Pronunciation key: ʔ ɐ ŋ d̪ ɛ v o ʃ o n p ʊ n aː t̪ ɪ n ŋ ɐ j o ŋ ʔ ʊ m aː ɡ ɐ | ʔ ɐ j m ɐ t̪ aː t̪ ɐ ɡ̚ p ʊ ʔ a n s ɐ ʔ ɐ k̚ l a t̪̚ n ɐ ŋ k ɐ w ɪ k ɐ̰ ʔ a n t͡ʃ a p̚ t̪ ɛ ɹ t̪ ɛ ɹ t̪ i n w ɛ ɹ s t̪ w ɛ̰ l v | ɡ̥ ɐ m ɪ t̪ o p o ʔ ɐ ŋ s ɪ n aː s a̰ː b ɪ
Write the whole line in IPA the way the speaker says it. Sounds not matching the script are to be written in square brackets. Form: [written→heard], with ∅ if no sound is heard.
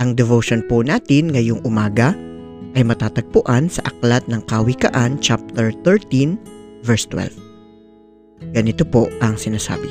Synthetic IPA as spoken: ʔ ɐ ŋ d̪ ɛ v o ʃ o n p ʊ n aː t̪ ɪ n ŋ ɐ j o ŋ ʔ ʊ m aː ɡ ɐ | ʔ ɐ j m ɐ t̪ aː t̪ ɐ ɡ̚ p ʊ ʔ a n s ɐ ʔ ɐ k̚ l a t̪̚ n ɐ ŋ k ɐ w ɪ k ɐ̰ ʔ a n t͡ʃ a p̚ t̪ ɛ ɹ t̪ ɛ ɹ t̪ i n [w→v] ɛ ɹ s t̪ w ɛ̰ l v | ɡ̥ ɐ [m→n] ɪ t̪ o p o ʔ ɐ ŋ s ɪ n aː s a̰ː b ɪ